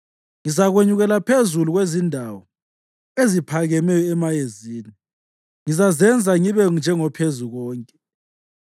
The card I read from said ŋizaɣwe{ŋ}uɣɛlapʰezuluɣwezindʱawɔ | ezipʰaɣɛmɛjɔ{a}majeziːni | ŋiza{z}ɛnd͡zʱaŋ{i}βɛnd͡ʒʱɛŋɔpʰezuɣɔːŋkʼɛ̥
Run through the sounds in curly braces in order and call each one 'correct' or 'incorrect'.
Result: incorrect, incorrect, correct, correct

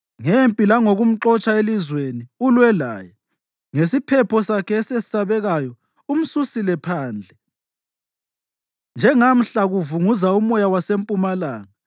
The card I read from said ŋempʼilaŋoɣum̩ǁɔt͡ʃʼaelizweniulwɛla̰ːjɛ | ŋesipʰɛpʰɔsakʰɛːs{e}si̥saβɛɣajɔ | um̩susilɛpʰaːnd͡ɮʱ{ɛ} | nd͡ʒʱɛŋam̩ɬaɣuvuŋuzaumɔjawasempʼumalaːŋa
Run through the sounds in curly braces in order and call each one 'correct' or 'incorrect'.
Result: correct, correct

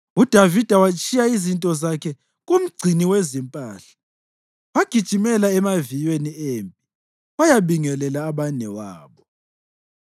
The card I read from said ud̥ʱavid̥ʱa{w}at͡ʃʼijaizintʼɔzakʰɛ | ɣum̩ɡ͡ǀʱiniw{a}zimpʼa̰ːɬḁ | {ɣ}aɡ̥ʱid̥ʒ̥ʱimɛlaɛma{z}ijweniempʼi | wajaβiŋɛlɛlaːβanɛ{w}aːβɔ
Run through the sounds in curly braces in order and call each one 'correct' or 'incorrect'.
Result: correct, incorrect, incorrect, incorrect, correct

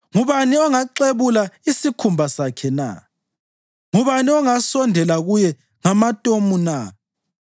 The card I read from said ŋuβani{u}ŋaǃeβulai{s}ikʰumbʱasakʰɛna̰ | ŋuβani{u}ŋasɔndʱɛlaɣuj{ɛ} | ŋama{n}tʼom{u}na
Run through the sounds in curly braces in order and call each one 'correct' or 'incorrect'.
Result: incorrect, correct, incorrect, correct, incorrect, correct

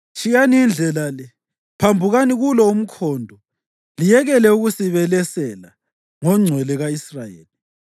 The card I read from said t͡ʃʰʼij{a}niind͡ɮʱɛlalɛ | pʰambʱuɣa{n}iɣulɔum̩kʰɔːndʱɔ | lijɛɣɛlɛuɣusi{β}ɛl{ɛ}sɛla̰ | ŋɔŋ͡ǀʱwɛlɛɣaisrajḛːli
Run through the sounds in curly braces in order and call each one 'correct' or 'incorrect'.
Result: correct, correct, correct, correct

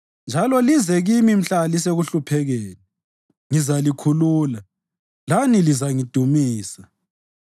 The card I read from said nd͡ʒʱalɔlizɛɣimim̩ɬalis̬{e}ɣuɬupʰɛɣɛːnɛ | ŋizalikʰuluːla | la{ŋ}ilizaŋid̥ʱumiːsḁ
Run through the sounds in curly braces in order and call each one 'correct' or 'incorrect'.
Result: correct, incorrect

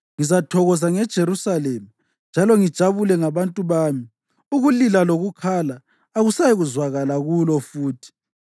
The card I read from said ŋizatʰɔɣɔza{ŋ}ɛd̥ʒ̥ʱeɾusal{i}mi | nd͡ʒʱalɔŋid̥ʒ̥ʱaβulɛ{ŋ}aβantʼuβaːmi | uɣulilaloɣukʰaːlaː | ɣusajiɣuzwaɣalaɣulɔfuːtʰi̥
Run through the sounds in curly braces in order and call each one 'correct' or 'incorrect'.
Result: correct, incorrect, correct

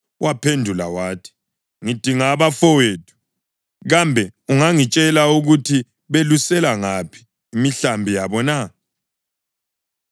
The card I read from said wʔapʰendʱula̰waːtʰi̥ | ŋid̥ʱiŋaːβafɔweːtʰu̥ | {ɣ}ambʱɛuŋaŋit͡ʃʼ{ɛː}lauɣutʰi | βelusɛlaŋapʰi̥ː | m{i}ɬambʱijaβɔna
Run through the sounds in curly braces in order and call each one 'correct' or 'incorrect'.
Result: correct, incorrect, correct

